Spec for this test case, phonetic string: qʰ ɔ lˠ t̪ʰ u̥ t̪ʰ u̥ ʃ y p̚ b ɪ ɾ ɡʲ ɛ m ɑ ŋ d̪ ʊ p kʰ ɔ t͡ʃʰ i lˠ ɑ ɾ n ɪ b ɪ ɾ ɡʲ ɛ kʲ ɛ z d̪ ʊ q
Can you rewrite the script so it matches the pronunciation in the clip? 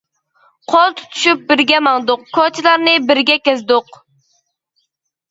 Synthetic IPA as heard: qʰ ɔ lˠ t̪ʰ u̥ t̪ʰ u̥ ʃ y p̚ b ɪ ɾ ɡʲ ɛ m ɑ ŋ d̪ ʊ q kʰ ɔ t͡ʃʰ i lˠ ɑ ɾ n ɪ b ɪ ɾ ɡʲ ɛ kʲ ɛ z d̪ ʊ q